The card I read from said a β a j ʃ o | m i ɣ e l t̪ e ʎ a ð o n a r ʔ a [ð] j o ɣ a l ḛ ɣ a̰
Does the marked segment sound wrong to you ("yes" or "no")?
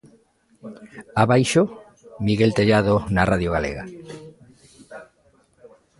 no